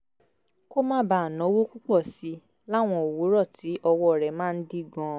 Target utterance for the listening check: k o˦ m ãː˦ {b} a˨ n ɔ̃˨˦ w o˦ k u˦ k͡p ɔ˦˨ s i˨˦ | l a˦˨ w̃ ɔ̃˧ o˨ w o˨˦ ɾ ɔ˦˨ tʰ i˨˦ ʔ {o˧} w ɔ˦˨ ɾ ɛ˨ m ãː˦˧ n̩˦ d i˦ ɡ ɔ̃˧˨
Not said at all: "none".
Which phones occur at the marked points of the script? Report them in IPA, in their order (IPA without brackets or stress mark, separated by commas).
b, ɔ˧